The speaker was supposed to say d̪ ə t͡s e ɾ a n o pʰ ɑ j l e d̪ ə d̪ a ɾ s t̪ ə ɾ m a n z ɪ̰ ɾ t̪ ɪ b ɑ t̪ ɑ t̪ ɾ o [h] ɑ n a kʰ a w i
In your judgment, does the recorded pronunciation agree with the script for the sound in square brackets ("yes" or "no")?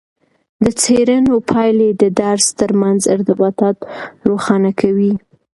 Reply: no